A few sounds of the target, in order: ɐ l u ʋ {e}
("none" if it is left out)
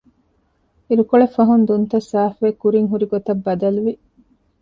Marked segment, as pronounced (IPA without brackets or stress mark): i